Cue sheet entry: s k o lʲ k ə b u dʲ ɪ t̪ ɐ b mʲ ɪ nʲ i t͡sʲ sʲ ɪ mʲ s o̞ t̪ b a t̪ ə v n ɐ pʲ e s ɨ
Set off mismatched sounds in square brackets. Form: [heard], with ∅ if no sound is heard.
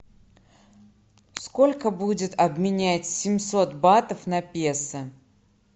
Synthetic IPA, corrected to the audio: s k o lʲ k ə b u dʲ ɪ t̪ ɐ b mʲ ɪ nʲ [æ] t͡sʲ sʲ ɪ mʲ s o̞ t̪ b a t̪ ə [f] n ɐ pʲ e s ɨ